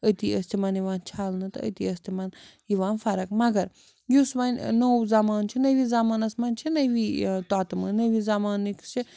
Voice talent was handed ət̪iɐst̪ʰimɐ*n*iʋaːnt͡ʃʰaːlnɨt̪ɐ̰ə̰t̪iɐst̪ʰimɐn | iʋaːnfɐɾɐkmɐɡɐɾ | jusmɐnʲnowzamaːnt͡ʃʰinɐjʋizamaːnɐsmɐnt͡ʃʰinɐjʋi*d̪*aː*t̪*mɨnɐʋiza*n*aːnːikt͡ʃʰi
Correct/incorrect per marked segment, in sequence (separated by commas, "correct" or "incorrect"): correct, incorrect, correct, incorrect